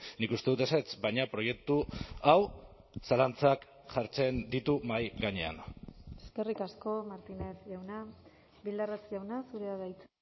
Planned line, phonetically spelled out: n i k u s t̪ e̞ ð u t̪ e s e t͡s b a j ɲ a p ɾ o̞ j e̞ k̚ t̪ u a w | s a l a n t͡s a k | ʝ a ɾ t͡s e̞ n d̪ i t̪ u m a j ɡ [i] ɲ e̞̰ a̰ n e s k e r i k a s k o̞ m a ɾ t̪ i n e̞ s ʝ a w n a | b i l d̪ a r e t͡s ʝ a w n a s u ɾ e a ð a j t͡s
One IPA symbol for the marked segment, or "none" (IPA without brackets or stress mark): a